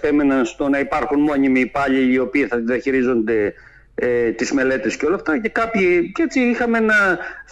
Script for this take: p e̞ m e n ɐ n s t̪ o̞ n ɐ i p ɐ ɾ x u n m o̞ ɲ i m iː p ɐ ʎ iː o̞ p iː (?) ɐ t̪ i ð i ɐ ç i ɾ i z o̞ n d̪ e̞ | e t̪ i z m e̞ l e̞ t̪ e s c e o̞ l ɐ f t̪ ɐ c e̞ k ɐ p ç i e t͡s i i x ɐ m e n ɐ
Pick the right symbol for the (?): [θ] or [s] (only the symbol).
θ